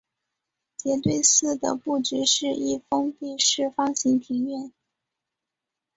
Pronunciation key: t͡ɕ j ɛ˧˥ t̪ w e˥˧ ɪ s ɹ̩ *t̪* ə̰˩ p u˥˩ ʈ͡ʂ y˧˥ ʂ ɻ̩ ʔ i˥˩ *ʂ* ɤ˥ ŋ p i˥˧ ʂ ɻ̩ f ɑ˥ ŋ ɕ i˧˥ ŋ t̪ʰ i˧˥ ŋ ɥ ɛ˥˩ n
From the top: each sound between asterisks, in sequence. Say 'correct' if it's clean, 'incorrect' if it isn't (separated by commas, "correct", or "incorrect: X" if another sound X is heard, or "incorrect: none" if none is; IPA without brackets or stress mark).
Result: incorrect: d̪, incorrect: f